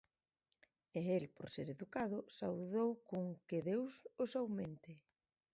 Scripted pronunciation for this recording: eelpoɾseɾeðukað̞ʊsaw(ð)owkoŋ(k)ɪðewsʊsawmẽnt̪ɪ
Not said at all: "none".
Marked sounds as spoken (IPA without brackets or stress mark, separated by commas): ð, k